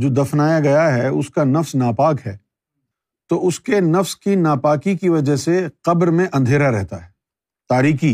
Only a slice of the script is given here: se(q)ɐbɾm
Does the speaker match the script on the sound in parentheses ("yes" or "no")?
yes